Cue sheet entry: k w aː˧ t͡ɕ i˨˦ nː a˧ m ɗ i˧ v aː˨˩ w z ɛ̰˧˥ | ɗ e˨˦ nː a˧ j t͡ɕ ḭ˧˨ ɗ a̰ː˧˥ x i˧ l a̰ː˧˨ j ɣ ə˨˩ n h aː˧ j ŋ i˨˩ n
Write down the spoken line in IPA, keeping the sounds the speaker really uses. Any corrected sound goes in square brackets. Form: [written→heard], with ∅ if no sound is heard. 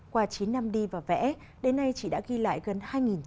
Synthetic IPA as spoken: k w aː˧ t͡ɕ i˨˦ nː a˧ m ɗ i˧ v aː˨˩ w [z→v] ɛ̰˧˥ | ɗ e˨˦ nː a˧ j t͡ɕ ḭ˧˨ ɗ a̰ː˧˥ [x→ɣ] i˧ l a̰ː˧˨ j ɣ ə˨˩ n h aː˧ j ŋ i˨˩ n